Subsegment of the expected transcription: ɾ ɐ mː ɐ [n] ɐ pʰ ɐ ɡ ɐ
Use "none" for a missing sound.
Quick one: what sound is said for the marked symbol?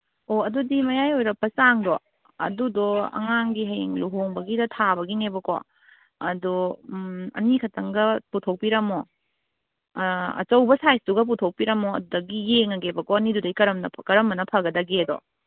n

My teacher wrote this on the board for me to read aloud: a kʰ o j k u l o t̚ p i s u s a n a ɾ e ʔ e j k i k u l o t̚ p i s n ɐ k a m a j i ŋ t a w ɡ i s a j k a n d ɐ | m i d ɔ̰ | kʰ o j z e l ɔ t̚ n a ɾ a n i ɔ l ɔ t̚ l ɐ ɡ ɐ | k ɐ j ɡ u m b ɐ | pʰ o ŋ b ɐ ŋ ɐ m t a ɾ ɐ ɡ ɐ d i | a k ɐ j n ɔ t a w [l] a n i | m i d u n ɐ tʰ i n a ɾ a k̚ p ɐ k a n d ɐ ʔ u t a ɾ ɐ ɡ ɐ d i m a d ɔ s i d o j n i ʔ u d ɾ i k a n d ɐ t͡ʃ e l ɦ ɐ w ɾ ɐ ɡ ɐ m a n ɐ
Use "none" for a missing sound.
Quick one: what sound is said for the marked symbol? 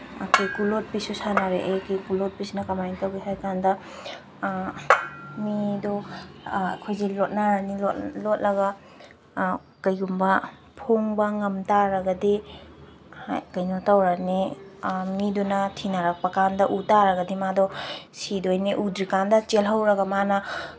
ɾ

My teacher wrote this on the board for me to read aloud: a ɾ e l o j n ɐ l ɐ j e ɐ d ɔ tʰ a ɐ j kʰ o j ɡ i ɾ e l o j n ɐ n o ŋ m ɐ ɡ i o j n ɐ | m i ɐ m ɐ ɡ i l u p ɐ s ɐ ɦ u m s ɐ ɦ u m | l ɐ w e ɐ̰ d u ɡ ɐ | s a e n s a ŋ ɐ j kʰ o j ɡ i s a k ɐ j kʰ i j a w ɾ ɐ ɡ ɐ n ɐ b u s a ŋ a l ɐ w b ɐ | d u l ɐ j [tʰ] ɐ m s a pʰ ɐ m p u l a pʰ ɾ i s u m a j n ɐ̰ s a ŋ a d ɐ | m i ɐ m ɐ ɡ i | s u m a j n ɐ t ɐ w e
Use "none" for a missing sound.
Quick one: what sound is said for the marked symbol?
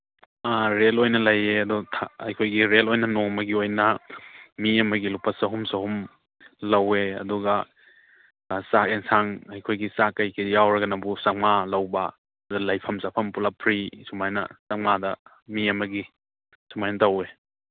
pʰ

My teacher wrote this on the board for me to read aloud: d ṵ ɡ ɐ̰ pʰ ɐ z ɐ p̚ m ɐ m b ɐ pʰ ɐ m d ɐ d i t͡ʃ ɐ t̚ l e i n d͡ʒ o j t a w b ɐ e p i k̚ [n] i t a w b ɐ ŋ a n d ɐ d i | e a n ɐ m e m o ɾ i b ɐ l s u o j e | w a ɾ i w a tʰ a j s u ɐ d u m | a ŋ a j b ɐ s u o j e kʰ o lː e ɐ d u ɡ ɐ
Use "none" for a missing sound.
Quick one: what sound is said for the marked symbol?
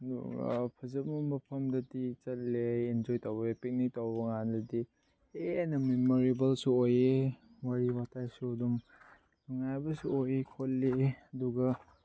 n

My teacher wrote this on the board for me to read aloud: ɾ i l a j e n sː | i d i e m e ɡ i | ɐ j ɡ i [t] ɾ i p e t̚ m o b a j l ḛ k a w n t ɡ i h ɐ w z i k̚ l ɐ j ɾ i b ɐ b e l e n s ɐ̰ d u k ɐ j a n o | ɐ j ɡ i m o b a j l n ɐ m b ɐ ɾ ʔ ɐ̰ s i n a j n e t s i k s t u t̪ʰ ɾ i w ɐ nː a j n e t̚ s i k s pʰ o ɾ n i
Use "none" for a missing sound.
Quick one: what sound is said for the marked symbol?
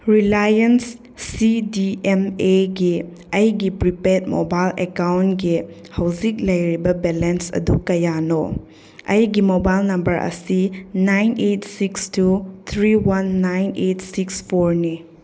p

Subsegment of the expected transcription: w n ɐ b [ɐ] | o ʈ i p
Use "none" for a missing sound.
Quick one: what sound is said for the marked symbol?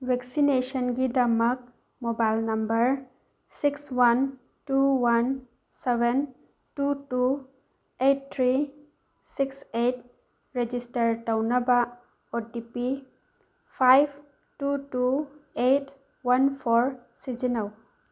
a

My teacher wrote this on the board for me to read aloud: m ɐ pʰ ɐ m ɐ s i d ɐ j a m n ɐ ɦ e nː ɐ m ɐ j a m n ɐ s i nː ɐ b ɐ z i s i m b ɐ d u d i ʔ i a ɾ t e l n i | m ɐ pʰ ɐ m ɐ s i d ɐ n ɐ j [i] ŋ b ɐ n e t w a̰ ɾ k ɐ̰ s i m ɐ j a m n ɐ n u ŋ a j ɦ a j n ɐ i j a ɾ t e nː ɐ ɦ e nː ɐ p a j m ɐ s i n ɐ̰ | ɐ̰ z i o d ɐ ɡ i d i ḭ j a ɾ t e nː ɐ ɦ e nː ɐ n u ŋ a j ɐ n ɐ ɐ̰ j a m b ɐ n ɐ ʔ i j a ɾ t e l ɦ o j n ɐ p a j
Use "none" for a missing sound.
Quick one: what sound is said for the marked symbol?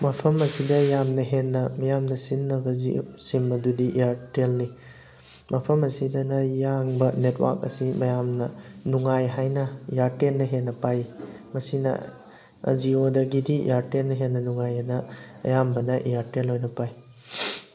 a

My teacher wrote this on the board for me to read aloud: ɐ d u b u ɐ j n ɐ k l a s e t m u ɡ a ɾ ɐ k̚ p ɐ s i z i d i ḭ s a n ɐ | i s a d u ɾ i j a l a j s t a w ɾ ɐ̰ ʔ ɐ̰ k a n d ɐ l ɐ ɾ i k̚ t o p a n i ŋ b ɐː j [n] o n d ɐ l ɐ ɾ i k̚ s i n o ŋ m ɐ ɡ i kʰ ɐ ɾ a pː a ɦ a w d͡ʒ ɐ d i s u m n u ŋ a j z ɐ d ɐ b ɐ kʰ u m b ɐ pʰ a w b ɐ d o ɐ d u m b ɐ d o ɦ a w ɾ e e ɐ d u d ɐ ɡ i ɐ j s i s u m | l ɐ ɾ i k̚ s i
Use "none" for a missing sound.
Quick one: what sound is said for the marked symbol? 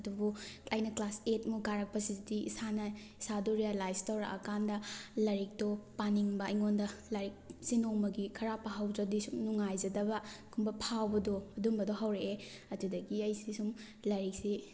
ŋ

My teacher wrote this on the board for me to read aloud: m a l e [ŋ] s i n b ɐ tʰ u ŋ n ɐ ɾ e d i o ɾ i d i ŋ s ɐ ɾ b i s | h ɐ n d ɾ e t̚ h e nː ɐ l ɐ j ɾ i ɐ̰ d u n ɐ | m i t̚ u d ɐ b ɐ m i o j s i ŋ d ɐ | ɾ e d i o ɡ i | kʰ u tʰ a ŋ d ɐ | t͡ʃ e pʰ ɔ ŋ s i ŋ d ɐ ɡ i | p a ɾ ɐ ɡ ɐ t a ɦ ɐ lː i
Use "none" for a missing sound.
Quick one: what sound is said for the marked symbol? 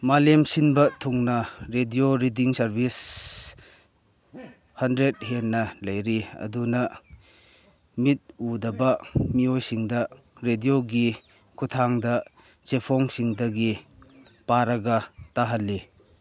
m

